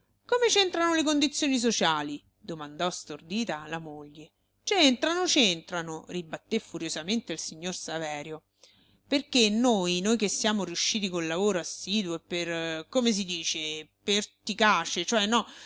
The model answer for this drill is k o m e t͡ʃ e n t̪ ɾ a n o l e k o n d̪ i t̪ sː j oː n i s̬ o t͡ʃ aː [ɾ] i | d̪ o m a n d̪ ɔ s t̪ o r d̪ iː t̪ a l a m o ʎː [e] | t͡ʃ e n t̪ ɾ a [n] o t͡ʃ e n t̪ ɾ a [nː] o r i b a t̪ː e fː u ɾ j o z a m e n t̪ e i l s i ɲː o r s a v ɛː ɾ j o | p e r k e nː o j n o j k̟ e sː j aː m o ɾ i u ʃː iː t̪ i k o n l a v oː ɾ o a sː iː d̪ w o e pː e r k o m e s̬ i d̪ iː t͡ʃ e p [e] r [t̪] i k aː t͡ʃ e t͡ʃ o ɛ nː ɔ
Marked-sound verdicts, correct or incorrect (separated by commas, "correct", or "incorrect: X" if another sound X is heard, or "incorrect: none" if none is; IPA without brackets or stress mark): incorrect: l, correct, correct, incorrect: n, correct, correct